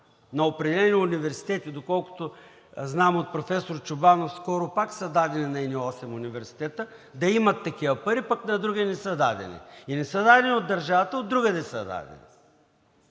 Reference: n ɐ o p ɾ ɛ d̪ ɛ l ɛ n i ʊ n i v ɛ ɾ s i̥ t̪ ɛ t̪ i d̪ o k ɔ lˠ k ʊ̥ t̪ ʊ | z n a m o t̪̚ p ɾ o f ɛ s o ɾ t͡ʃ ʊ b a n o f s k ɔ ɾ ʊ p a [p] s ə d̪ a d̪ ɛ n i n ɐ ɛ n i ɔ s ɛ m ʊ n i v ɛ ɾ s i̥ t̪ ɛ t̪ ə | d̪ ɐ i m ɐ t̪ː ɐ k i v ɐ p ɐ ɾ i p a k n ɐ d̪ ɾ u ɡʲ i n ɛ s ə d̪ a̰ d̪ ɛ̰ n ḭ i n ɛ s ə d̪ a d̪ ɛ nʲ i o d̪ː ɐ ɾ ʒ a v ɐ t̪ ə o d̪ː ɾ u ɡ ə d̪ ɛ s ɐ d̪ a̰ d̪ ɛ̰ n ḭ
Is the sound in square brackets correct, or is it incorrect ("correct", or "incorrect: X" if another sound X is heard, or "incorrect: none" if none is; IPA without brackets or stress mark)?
incorrect: k